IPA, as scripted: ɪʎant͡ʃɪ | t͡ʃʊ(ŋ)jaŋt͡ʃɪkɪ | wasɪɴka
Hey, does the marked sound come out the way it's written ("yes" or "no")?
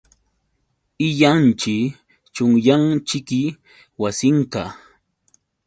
yes